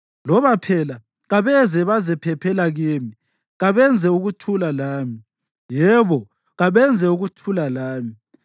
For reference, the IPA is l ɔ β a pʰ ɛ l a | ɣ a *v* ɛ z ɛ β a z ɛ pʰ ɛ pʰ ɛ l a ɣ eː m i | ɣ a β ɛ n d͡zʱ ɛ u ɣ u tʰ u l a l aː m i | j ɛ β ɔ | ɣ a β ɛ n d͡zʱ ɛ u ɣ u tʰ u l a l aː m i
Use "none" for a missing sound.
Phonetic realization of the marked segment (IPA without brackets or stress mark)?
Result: β